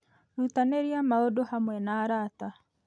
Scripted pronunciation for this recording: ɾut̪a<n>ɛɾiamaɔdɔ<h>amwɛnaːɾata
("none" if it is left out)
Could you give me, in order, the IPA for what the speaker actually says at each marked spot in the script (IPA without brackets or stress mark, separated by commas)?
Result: n, h